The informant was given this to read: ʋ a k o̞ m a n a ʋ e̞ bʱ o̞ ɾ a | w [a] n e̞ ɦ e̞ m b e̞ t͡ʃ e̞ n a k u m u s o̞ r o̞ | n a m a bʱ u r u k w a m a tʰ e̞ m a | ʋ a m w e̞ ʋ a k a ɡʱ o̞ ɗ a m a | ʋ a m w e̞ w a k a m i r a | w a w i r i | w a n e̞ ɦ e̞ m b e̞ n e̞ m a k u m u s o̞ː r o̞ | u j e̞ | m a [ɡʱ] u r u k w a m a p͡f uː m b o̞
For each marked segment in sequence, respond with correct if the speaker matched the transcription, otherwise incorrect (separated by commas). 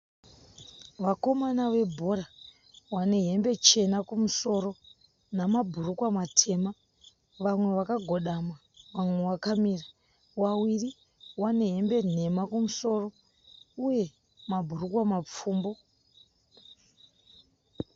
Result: correct, incorrect